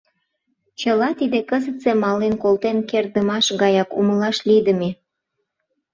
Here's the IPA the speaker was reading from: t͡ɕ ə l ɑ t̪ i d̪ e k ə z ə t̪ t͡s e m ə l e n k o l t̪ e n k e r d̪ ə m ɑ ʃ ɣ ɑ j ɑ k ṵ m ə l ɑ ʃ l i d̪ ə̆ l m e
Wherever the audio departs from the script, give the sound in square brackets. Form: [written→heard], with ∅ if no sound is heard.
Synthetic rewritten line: t͡ɕ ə l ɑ t̪ i d̪ e k ə z ə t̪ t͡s e m [ə→ɑ] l e n k o l t̪ e n k e r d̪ ə m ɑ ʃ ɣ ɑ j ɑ k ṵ m ə l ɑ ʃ l i d̪ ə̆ [l→∅] m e